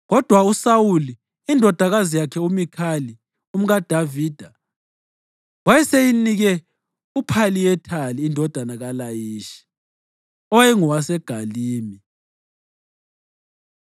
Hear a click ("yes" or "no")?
no